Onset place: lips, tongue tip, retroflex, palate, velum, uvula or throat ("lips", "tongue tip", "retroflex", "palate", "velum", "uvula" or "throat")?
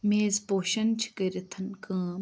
lips